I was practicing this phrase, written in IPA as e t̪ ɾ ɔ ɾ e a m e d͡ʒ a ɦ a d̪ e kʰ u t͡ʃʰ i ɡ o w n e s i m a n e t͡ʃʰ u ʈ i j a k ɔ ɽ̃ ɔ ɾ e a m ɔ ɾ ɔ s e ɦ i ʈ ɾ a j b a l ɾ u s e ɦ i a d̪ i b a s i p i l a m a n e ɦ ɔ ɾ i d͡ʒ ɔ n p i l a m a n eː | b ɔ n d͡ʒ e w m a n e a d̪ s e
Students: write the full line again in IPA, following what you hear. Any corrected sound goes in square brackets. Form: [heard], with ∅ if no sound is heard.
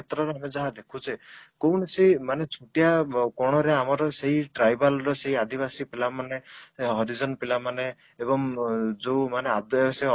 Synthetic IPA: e t̪ ɾ ɔ ɾ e a m e d͡ʒ a ɦ a d̪ e kʰ u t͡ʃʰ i [k] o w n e s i m a n e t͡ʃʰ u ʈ i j a k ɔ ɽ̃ ɔ ɾ e a m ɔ ɾ ɔ s e ɦ i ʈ ɾ a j b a l ɾ [ɔ] s e ɦ i a d̪ i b a s i p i l a m a n e ɦ ɔ ɾ i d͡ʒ ɔ n p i l a m a n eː | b ɔ [ŋ] d͡ʒ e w m a n e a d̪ s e